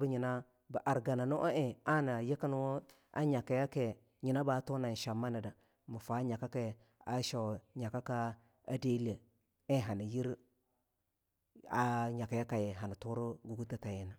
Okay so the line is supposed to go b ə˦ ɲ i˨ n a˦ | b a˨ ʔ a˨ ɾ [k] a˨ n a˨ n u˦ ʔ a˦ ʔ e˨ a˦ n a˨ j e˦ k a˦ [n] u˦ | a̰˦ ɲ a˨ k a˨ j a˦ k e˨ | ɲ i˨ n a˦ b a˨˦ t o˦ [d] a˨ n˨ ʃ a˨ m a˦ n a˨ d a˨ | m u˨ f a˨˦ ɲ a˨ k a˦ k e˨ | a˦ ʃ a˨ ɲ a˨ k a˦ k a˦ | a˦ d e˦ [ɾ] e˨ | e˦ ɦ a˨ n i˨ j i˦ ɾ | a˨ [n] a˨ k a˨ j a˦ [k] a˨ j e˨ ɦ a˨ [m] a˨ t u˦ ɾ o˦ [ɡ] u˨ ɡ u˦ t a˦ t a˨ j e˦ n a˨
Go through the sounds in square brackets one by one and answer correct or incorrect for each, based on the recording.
incorrect, correct, incorrect, incorrect, incorrect, correct, incorrect, correct

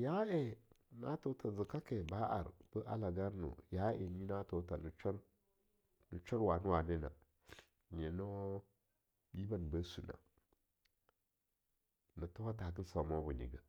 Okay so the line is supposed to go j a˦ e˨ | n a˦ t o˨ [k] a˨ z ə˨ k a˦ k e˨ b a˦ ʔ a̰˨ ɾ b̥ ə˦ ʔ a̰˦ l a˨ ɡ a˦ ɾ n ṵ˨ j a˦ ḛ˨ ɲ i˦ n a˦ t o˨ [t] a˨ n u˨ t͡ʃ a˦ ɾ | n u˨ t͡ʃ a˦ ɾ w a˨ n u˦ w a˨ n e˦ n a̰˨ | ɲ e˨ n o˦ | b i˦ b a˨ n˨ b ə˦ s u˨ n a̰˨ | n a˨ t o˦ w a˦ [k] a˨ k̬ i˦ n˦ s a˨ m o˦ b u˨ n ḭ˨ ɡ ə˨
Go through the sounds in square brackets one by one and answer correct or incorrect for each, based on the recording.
incorrect, correct, incorrect

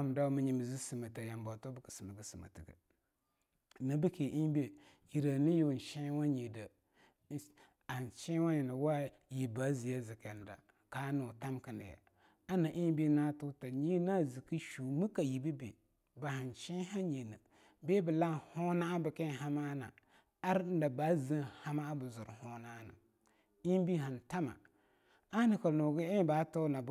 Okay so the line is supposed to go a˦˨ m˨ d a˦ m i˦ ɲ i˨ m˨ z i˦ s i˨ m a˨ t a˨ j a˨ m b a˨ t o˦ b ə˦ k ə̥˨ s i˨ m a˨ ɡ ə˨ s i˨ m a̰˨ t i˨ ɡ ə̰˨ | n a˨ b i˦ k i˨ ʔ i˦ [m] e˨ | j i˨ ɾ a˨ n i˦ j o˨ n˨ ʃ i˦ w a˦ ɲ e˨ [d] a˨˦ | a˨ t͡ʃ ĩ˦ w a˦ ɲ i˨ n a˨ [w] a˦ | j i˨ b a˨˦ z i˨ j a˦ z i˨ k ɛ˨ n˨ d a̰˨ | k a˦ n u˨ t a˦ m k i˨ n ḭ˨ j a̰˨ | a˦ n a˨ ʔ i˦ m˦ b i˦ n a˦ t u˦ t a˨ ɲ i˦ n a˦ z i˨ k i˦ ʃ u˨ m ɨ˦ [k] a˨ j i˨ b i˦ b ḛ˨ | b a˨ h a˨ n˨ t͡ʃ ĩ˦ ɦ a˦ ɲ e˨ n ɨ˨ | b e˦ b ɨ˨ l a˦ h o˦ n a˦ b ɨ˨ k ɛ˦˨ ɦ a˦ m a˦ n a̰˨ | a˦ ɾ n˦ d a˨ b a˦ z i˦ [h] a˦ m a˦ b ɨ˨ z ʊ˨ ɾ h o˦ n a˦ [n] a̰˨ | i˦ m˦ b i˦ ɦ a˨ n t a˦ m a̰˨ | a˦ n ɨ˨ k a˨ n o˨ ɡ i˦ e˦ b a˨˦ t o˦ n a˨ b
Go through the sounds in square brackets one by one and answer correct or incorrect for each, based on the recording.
incorrect, correct, correct, correct, correct, correct

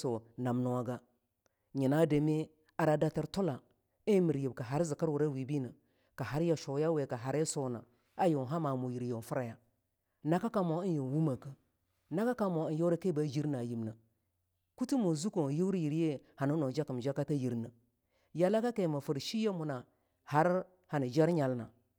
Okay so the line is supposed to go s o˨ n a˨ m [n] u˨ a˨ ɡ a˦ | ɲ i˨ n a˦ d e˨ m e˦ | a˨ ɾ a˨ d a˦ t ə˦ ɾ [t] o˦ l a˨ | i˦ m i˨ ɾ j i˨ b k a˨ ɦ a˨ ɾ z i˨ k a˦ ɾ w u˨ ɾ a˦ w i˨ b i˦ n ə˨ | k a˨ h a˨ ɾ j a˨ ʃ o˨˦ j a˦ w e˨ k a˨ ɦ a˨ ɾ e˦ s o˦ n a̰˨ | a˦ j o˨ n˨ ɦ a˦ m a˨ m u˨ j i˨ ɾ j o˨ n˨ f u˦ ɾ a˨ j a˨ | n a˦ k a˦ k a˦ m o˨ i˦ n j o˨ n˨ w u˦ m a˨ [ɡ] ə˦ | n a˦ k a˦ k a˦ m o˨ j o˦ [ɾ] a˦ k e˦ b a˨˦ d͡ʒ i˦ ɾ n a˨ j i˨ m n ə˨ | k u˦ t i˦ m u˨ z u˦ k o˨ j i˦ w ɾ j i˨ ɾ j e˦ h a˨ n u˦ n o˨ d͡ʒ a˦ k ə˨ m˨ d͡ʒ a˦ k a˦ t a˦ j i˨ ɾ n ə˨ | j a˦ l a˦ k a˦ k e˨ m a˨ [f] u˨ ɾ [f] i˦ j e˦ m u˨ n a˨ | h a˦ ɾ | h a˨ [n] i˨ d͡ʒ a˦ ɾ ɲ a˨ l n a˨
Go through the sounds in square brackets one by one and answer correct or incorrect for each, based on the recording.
correct, correct, incorrect, correct, correct, incorrect, correct

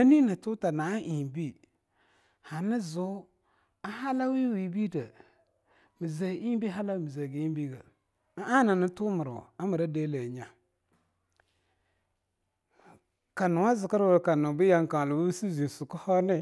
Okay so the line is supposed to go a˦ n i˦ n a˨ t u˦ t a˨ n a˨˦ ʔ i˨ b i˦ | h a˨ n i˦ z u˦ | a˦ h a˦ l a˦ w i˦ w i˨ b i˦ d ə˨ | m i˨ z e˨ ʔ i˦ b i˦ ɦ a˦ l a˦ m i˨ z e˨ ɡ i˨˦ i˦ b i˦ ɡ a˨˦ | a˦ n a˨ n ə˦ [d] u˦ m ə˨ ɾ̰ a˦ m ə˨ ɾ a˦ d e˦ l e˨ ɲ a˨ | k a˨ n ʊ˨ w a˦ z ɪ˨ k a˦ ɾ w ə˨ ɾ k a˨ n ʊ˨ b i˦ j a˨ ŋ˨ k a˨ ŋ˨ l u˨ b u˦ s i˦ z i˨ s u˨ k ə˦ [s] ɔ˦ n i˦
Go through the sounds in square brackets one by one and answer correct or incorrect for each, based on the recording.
incorrect, incorrect

